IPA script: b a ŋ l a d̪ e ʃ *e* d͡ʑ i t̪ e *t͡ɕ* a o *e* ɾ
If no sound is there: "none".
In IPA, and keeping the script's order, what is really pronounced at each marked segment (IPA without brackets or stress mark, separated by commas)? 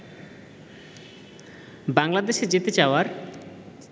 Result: e, t͡ɕ, a